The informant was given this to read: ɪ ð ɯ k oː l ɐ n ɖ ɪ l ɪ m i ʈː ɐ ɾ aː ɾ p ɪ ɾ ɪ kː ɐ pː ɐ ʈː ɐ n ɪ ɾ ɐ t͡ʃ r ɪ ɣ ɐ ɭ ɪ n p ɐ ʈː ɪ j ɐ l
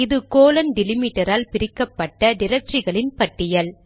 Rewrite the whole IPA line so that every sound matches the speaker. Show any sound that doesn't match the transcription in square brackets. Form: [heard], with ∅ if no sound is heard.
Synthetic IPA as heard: ɪ ð ɯ k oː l ɐ n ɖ ɪ l ɪ m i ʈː ɐ ɾ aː [l] p ɪ ɾ ɪ kː ɐ pː ɐ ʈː ɐ n ɪ ɾ ɐ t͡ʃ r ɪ ɣ ɐ ɭ ɪ n p ɐ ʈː ɪ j ɐ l